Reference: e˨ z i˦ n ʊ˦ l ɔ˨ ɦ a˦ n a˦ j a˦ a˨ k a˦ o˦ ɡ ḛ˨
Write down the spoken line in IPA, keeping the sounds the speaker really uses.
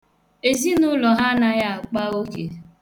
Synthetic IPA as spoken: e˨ z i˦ n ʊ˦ l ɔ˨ ɦ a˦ n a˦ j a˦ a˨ k͡p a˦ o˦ k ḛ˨